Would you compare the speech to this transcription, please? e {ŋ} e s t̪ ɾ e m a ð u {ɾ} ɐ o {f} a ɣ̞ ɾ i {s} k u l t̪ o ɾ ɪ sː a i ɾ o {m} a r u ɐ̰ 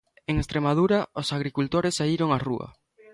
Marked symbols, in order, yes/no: yes, yes, no, no, no

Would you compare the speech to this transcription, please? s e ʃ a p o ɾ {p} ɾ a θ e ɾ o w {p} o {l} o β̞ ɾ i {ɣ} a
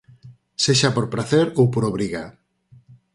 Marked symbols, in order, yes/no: yes, yes, no, yes

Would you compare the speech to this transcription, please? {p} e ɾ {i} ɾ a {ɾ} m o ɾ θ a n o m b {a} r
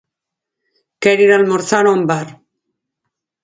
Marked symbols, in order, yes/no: no, yes, no, yes

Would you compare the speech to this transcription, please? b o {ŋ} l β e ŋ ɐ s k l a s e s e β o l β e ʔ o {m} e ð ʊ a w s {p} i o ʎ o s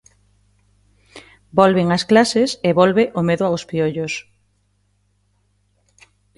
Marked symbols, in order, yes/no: no, yes, yes

